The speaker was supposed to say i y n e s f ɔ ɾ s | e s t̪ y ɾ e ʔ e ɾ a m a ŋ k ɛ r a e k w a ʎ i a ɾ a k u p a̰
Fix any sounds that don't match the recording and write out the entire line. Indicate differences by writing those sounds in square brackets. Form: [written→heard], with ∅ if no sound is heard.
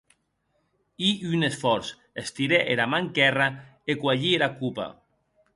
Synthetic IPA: i y n e s f ɔ ɾ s | e s t̪ [y→i] ɾ e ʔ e ɾ a m a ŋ k ɛ r a e k w a ʎ i [a→e] ɾ a k u p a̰